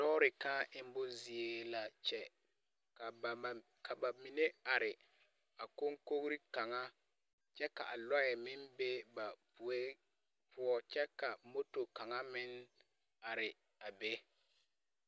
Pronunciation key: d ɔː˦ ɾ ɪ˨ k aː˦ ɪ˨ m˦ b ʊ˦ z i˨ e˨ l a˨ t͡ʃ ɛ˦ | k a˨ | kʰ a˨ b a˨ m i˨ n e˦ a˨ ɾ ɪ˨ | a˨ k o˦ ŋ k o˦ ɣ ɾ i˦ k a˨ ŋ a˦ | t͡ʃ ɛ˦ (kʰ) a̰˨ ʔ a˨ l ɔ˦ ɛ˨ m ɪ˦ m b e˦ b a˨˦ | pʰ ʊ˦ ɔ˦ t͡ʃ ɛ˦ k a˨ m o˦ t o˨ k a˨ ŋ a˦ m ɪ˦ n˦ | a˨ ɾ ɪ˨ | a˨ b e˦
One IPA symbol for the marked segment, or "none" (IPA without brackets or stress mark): k